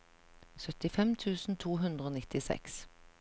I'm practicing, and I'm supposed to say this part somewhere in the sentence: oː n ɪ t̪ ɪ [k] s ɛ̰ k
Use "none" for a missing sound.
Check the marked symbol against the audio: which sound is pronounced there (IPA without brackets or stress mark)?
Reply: none